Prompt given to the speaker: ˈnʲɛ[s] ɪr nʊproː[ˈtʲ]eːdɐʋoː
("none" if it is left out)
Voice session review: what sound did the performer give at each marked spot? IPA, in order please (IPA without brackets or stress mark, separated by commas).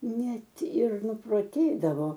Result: t, tʲ